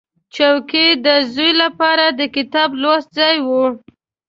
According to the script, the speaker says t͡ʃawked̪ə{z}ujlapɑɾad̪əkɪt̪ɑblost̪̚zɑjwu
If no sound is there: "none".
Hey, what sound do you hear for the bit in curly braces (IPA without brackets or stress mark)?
z